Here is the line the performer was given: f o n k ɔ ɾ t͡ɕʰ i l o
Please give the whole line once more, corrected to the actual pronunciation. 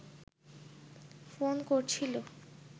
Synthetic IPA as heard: f o n k o ɾ t͡ɕʰ i l o